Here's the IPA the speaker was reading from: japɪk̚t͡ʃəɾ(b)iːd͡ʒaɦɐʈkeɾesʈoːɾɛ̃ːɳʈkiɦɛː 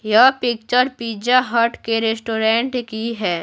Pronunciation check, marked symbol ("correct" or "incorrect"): incorrect